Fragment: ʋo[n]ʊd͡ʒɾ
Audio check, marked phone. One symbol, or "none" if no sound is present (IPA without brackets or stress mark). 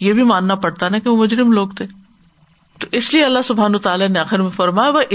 m